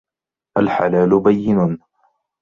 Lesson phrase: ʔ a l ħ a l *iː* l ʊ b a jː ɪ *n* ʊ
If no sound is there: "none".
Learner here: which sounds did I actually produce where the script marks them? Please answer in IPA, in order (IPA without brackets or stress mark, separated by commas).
aː, n